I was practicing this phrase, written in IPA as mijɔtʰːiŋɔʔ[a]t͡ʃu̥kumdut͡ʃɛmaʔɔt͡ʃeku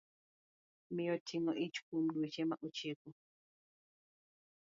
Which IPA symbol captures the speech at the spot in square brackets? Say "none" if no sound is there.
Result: i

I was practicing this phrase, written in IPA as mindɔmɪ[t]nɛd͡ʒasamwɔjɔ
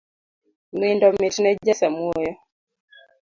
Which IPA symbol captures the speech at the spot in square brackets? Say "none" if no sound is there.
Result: t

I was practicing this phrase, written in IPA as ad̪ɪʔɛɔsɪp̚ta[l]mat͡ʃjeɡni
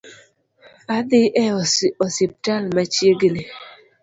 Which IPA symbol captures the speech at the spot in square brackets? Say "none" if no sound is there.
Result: l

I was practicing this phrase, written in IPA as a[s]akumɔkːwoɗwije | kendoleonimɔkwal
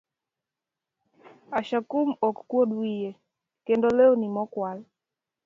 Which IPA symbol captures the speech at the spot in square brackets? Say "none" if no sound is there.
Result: ʃ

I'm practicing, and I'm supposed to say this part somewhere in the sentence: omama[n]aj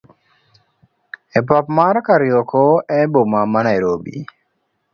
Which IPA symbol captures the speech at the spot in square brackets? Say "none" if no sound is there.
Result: n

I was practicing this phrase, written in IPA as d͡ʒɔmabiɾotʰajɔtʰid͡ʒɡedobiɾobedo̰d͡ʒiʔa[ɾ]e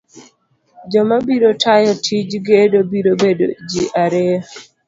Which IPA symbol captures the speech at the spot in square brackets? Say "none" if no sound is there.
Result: ɾ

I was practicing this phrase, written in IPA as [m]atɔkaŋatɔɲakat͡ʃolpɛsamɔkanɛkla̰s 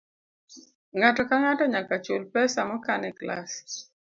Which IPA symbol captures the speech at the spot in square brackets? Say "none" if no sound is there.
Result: ŋ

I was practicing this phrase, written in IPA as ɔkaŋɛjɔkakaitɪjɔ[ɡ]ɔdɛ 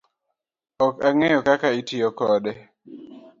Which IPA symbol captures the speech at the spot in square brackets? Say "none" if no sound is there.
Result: k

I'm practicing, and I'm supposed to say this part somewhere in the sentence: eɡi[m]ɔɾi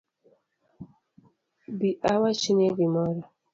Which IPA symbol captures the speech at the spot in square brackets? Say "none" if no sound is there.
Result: m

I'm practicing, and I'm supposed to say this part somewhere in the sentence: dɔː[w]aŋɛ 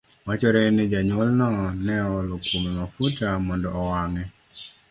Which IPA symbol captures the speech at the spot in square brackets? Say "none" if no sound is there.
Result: w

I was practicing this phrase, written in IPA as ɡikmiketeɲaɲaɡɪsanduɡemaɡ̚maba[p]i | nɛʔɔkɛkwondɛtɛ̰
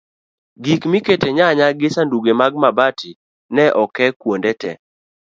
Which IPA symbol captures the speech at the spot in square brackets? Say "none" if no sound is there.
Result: t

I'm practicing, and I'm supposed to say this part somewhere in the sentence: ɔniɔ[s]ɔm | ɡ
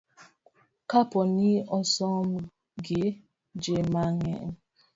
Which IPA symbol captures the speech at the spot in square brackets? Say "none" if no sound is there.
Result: s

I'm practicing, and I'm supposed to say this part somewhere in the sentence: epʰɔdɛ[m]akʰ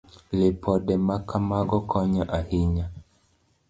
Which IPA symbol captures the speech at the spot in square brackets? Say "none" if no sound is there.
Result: m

